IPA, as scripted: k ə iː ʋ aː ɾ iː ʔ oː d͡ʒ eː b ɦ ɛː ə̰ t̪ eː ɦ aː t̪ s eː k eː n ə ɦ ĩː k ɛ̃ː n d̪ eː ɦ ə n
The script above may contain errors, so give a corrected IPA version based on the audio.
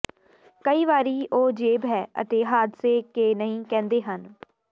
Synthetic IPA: k ə iː ʋ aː ɾ iː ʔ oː d͡ʒ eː b ɦ ɛː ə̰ t̪ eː ɦ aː d̪ s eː k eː n ə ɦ ĩː k ɛ̃ː n d̪ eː ɦ ə n

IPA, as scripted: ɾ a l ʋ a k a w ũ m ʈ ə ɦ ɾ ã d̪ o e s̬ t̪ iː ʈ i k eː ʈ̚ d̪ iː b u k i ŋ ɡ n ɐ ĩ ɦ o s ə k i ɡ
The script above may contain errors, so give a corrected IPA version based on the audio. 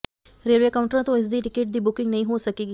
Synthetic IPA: ɾ e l ʋ e k a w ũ ɳ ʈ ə ɾ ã t̪ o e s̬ d̪ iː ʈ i k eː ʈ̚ d̪ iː b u k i ŋ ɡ n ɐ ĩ ɦ o s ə k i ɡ

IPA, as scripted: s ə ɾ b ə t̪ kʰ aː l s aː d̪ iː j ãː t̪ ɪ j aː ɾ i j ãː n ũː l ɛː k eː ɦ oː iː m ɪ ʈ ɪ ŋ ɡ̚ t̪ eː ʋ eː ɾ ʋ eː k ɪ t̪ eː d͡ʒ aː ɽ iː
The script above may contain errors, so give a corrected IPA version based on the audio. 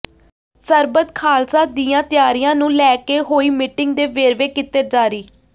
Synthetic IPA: s ə ɾ b ə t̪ kʰ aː l s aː d̪ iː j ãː t̪ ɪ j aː ɾ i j ãː n ũː l ɛː k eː ɦ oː iː m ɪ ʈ ɪ ŋ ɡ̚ d̪ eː ʋ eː ɾ ʋ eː k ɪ t̪ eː d͡ʒ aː ɾ iː

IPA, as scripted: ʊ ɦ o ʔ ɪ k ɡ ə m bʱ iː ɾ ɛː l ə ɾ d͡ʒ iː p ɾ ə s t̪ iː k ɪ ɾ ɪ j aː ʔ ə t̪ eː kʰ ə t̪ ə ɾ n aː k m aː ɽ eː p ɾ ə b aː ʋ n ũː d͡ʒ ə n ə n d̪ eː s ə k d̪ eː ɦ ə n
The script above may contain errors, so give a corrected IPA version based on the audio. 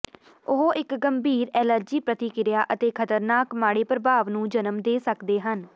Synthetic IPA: ʊ ɦ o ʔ ɪ k ɡ ə m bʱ iː ɾ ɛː l ə ɾ d͡ʒ iː p ɾ ə t̪ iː k ɪ ɾ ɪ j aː ʔ ə t̪ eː kʰ ə t̪ ə ɾ n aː k m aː ɽ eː p ɾ ə b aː ʋ n ũː d͡ʒ ə n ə m d̪ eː s ə k d̪ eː ɦ ə n

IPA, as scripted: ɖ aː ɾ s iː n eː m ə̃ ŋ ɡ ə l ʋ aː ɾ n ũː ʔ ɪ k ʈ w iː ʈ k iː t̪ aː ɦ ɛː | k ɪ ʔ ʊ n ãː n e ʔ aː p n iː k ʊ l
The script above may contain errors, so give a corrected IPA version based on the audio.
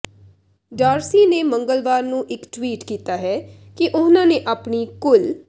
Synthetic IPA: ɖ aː ɾ s iː n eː m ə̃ ŋ ɡ ə l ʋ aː ɾ n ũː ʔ ɪ k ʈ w iː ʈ k iː t̪ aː ɦ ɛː | k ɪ ʔ ʊ n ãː n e ʔ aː p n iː k ʊ l

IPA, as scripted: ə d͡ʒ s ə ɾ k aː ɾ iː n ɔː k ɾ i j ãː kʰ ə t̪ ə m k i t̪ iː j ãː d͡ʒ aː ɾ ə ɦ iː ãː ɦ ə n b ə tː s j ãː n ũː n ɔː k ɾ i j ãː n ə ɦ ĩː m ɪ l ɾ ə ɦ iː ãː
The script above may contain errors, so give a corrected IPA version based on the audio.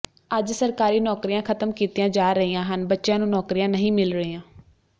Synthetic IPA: ə d͡ʒ s ə ɾ k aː ɾ iː n ɔː k ɾ i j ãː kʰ ə t̪ ə m k iː t̪ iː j ãː d͡ʒ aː ɾ ə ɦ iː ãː ɦ ə n b ə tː ʃ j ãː n ũː n ɔː k ɾ i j ãː n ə ɦ ĩː m ɪ l ɾ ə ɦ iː ãː

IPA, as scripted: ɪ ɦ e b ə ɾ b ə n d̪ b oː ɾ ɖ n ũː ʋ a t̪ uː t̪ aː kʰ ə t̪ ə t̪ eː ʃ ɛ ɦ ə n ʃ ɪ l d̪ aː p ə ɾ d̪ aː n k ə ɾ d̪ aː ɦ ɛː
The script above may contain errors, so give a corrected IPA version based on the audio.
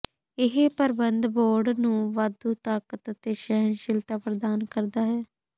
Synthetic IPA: ɪ ɦ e p ə ɾ b ə n d̪ b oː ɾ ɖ n ũː ʋ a d̪ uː t̪ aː k ə t̪ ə t̪ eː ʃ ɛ ɦ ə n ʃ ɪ l t̪ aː p ə ɾ d̪ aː n k ə ɾ d̪ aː ɦ ɛː

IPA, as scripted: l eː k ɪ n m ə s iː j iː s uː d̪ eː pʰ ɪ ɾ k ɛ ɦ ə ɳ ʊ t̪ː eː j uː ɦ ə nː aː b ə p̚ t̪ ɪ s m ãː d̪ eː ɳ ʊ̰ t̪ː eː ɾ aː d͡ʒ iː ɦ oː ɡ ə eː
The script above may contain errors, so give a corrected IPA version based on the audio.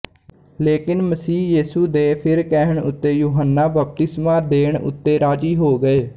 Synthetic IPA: l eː k ɪ n m ə s iː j iː s uː d̪ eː pʰ ɪ ɾ k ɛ ɦ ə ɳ ʊ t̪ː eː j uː ɦ ə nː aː b ə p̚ t̪ ɪ s m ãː d̪ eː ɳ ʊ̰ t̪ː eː ɾ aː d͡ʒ iː ɦ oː ɡ ə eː

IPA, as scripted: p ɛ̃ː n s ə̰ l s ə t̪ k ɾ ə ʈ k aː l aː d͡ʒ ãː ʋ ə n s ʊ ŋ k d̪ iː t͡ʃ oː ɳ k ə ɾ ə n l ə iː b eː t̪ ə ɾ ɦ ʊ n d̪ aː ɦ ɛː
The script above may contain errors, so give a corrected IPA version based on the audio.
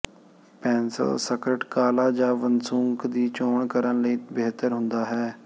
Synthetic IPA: p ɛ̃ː n s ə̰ l s ə k ɾ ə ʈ k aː l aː d͡ʒ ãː ʋ ə n s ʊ ŋ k d̪ iː t͡ʃ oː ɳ k ə ɾ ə n l ə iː b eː t̪ ə ɾ ɦ ʊ n d̪ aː ɦ ɛː

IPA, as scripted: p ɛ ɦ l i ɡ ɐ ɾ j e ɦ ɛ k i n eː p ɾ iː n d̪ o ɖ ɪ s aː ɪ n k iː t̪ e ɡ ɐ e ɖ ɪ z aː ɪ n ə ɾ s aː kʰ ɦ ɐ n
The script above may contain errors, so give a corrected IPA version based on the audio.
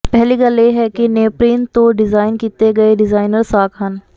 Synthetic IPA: p ɛ ɦ l i ɡ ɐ l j e ɦ ɛ k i n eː p ɾ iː n t̪ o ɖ ɪ z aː ɪ n k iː t̪ e ɡ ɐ e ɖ ɪ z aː ɪ n ə ɾ s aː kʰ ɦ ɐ n

